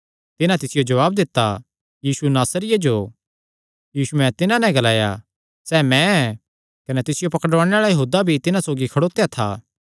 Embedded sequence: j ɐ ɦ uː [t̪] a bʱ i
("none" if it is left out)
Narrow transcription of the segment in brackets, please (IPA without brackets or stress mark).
d̪